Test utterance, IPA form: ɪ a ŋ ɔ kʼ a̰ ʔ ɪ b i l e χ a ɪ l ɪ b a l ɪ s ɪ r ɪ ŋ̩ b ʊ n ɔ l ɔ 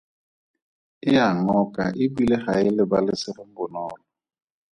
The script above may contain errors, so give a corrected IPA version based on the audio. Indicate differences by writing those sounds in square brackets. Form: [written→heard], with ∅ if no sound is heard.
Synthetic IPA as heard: ɪ a ŋ ɔ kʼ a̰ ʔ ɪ b i l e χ a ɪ l ɪ b a l ɪ s ɪ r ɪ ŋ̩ b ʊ n [ɔ→ɔː] l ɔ